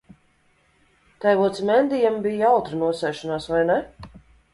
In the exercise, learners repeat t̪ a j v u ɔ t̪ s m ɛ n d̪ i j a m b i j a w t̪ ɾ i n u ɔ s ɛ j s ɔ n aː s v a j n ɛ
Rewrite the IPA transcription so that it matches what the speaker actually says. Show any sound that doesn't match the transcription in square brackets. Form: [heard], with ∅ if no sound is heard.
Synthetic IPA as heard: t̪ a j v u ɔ t̪ s m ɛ n d̪ i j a m b i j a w t̪ ɾ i n u ɔ s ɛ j [ʃ] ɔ n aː s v a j n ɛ